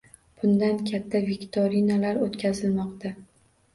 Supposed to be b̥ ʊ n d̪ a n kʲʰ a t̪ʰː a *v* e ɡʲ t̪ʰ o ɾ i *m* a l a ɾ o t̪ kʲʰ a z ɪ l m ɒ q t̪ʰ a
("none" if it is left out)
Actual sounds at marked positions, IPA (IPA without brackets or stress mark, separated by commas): v, n